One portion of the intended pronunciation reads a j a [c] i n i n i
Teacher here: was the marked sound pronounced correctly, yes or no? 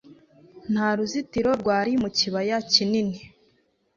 yes